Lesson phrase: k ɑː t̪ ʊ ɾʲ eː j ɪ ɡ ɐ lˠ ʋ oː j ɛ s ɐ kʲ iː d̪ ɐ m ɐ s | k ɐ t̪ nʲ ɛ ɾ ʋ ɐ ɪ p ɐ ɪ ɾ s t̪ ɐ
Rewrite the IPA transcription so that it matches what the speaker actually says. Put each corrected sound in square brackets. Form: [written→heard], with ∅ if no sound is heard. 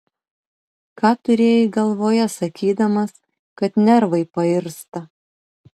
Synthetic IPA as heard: k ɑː t̪ ʊ ɾʲ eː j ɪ ɡ ɐ lˠ ʋ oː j ɛ s ɐ kʲ iː d̪ ɐ m ɐ s | k ɐ t̪ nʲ ɛ ɾ ʋ ɐ ɪ p ɐ ɪ ɾ s t̪ ɐ

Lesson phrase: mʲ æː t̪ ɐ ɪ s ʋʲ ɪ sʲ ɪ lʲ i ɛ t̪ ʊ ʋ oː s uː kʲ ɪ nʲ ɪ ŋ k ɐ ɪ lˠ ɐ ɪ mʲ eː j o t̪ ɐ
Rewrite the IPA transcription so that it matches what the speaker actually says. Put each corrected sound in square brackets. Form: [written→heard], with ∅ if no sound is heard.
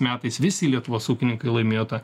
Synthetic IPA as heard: mʲ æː t̪ ɐ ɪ s ʋʲ ɪ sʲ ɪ lʲ i ɛ t̪ ʊ ʋ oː s uː kʲ ɪ nʲ ɪ ŋ k ɐ ɪ lˠ ɐ ɪ mʲ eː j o t̪ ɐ

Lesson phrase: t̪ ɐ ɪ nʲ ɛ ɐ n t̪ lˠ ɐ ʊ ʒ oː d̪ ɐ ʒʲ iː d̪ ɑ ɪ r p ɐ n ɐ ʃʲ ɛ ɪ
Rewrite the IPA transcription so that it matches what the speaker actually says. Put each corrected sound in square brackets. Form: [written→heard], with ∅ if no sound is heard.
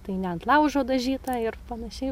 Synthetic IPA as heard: t̪ ɐ ɪ nʲ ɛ ɐ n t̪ lˠ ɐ ʊ ʒ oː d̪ ɐ ʒʲ iː [d̪→t̪] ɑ ɪ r p ɐ n ɐ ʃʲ ɛ ɪ

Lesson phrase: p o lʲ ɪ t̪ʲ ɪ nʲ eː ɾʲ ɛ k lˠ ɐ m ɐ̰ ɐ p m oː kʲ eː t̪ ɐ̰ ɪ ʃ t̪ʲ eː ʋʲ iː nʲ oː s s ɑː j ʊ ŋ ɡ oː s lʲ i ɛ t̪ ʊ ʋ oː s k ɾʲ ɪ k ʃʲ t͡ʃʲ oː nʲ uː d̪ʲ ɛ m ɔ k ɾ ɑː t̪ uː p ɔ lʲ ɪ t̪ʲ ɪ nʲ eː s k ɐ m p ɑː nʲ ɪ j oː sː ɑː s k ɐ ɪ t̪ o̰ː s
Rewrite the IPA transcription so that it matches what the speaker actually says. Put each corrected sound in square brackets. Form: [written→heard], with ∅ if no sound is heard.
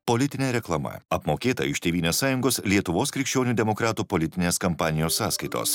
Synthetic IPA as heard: p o lʲ ɪ t̪ʲ ɪ nʲ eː ɾʲ ɛ k lˠ ɐ m ɐ̰ ɐ p m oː kʲ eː t̪ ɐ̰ ɪ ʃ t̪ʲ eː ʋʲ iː nʲ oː s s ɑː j ʊ ŋ ɡ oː s lʲ i ɛ t̪ ʊ ʋ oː s k ɾʲ ɪ k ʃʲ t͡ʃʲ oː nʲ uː d̪ʲ ɛ m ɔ k ɾ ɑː t̪ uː p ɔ lʲ ɪ t̪ʲ ɪ nʲ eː s k ɐ m p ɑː nʲ ɪ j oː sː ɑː s k ɐ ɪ t̪ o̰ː s

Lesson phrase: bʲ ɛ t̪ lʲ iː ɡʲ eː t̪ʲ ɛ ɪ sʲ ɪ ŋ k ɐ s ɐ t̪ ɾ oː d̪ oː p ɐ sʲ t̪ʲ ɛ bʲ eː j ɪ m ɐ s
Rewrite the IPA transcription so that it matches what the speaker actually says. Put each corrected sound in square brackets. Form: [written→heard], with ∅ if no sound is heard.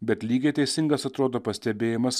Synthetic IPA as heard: bʲ ɛ t̪ lʲ iː ɡʲ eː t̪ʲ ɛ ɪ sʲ ɪ ŋ [k→ɡ] ɐ s ɐ t̪ ɾ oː d̪ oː p ɐ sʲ t̪ʲ ɛ bʲ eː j ɪ m ɐ s

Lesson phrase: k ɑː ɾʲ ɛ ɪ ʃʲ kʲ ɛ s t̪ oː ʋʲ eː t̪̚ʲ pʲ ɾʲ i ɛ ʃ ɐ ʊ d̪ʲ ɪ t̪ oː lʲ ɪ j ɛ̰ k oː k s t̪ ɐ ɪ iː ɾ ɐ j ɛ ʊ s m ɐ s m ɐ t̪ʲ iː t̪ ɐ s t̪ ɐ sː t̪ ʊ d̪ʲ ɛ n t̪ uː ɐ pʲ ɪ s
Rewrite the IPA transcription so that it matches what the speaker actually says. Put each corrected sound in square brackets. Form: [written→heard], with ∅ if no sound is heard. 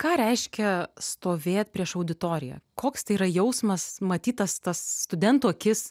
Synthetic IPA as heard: k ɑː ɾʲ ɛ ɪ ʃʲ kʲ ɛ s t̪ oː ʋʲ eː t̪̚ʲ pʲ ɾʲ i ɛ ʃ ɐ ʊ d̪ʲ ɪ t̪ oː [lʲ→ɾʲ] ɪ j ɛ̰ k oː k s t̪ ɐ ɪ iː ɾ ɐ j ɛ ʊ s m ɐ s m ɐ t̪ʲ iː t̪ ɐ s t̪ ɐ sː t̪ ʊ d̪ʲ ɛ n t̪ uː ɐ [pʲ→kʲ] ɪ s

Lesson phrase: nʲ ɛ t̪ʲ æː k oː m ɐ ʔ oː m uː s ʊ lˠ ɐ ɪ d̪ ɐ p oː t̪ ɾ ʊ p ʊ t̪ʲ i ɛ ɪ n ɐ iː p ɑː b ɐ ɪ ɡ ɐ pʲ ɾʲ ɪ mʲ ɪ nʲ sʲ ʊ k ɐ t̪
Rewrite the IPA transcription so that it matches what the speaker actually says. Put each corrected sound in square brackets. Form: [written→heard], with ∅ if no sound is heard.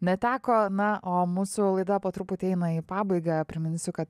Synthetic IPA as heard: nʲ ɛ t̪ʲ æː k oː [m→n] ɐ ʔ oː m uː s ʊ lˠ ɐ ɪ d̪ ɐ p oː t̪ ɾ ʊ p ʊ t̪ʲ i ɛ ɪ n ɐ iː p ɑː b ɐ ɪ ɡ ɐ pʲ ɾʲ ɪ mʲ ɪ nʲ sʲ ʊ k ɐ t̪

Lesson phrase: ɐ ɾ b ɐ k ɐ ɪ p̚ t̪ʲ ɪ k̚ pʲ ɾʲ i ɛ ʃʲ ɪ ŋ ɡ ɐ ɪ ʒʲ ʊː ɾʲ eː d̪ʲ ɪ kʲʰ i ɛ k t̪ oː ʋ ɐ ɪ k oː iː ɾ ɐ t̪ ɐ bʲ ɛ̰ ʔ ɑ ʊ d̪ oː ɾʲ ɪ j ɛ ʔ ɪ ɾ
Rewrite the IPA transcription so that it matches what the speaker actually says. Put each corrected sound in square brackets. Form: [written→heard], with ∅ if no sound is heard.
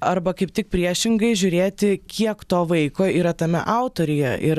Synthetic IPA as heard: ɐ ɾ b ɐ k ɐ ɪ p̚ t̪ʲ ɪ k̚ pʲ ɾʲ i ɛ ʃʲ ɪ ŋ ɡ ɐ ɪ ʒʲ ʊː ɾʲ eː [d̪ʲ→t̪ʲ] ɪ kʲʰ i ɛ k t̪ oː ʋ ɐ ɪ k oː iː ɾ ɐ t̪ ɐ [bʲ→mʲ] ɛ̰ ʔ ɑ ʊ [d̪→t̪] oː ɾʲ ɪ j ɛ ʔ ɪ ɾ

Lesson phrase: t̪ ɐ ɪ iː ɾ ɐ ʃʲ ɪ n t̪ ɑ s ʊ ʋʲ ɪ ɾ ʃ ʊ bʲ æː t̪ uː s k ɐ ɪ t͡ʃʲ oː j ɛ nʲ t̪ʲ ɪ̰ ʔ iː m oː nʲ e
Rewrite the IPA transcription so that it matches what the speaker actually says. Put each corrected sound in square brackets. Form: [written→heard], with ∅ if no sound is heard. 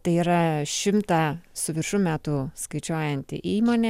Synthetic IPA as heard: t̪ ɐ ɪ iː ɾ ɐ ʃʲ ɪ [n→m] t̪ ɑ s ʊ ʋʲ ɪ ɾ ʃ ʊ [bʲ→mʲ] æː t̪ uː s k ɐ ɪ t͡ʃʲ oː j ɛ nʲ t̪ʲ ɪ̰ ʔ iː m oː nʲ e

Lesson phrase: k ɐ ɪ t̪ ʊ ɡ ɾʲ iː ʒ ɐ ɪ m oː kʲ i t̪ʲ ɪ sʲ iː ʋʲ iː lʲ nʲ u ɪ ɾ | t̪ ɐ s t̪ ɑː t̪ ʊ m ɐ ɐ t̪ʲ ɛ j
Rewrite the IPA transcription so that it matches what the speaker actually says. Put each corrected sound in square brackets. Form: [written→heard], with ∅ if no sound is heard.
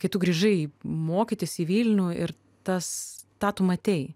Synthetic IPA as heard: k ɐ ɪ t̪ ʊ ɡ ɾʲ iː ʒ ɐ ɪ m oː kʲ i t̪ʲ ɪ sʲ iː ʋʲ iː lʲ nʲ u ɪ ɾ | t̪ ɐ s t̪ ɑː t̪ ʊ m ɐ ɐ t̪ʲ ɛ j

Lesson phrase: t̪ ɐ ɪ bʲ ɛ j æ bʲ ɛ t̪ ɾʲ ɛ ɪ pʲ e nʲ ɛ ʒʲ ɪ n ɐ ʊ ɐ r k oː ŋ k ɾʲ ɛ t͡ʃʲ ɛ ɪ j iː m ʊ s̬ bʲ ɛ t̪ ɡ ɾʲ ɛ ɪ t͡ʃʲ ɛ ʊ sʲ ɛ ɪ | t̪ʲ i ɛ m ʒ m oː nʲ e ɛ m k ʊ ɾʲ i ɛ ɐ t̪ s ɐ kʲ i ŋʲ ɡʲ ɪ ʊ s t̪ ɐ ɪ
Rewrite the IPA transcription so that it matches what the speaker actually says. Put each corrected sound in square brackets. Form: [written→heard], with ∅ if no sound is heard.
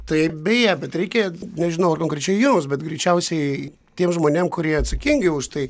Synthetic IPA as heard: t̪ ɐ ɪ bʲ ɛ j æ bʲ ɛ t̪ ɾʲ ɛ ɪ [pʲ→kʲ] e nʲ ɛ ʒʲ ɪ n ɐ ʊ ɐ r k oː ŋ k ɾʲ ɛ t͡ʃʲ ɛ ɪ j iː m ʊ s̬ bʲ ɛ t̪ ɡ ɾʲ ɛ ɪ t͡ʃʲ ɛ ʊ sʲ ɛ ɪ | t̪ʲ i ɛ m ʒ m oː nʲ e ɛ m k ʊ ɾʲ i ɛ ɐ t̪ s ɐ kʲ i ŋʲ ɡʲ ɪ ʊ [s→ʃ] t̪ ɐ ɪ

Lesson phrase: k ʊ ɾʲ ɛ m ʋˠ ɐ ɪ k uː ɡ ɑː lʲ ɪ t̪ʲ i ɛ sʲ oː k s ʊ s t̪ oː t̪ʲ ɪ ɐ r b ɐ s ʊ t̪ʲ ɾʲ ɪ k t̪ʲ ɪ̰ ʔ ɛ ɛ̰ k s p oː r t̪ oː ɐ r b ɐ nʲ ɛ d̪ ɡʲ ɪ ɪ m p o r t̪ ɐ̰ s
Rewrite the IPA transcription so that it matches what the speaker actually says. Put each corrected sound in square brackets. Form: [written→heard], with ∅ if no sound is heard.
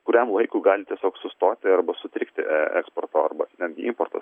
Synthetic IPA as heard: k ʊ ɾʲ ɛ m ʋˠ ɐ ɪ k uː ɡ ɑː lʲ ɪ t̪ʲ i ɛ sʲ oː k s ʊ s t̪ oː t̪ʲ ɪ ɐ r b ɐ s ʊ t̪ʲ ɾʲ ɪ k t̪ʲ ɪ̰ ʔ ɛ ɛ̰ k s p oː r t̪ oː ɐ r b ɐ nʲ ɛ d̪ ɡʲ ɪ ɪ m p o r t̪ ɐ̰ s

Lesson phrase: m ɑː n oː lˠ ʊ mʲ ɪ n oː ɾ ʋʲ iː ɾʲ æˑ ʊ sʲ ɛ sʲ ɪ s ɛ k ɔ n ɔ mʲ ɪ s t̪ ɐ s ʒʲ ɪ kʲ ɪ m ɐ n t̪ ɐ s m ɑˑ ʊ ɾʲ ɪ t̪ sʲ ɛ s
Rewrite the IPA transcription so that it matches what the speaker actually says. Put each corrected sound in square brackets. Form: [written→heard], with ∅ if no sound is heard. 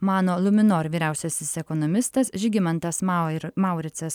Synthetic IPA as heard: m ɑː n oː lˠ ʊ mʲ ɪ n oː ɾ ʋʲ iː ɾʲ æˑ ʊ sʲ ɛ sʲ ɪ s ɛ k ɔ n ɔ mʲ ɪ s t̪ ɐ s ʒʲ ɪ [kʲ→ɡʲ] ɪ m ɐ n t̪ ɐ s m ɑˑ ʊ ɾʲ ɪ t̪ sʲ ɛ s

